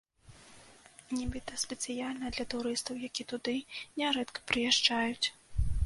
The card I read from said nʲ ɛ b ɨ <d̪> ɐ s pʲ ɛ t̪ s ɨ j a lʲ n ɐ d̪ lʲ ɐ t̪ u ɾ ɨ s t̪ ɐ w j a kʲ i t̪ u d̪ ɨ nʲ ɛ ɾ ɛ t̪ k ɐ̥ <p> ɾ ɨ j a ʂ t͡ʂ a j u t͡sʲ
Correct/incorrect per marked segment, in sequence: incorrect, correct

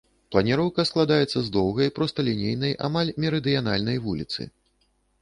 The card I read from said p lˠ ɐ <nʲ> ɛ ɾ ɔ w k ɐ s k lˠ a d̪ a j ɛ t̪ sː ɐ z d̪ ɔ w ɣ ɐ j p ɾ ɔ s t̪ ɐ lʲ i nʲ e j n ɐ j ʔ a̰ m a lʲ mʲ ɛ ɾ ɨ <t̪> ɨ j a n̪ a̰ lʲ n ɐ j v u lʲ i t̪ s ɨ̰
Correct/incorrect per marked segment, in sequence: correct, incorrect

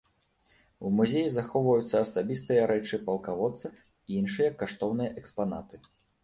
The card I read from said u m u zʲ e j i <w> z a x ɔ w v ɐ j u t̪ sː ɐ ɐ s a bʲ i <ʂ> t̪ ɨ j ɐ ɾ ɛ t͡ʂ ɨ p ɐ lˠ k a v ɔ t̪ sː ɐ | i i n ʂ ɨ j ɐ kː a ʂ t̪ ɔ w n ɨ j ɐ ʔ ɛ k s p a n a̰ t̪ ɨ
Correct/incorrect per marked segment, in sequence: incorrect, incorrect

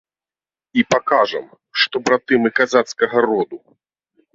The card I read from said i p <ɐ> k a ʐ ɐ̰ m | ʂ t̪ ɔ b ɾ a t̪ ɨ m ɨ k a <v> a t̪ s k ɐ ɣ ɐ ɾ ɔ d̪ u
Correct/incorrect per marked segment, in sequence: incorrect, incorrect

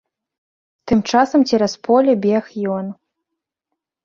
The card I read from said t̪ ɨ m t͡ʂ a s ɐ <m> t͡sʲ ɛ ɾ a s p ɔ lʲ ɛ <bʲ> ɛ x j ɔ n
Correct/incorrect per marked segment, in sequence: correct, correct

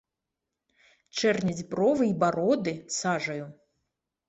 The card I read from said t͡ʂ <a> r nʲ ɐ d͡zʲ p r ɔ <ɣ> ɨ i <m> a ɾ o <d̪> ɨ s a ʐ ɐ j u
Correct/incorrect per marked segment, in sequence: incorrect, incorrect, incorrect, correct

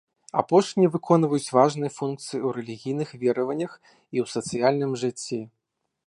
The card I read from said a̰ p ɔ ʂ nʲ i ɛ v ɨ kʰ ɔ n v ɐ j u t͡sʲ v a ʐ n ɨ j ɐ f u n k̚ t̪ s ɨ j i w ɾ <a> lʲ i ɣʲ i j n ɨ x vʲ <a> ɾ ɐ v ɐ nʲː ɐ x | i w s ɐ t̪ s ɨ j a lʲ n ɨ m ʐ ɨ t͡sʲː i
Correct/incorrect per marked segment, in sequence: incorrect, incorrect

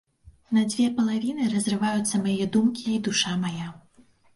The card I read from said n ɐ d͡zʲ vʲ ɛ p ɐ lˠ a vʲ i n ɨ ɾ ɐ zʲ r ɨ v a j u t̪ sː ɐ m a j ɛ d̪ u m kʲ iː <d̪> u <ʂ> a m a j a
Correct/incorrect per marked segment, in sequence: correct, correct

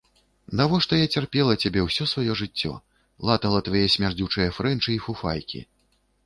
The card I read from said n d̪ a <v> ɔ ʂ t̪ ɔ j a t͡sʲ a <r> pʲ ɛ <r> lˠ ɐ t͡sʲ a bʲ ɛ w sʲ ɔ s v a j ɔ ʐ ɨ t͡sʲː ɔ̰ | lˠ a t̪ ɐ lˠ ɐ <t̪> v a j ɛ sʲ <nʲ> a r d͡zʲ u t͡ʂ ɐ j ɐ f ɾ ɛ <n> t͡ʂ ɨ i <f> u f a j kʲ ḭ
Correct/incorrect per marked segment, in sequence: correct, correct, incorrect, correct, incorrect, correct, correct

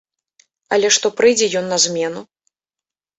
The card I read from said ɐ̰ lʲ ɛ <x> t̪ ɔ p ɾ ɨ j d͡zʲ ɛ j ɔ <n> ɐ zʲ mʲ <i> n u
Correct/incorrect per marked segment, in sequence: incorrect, incorrect, incorrect

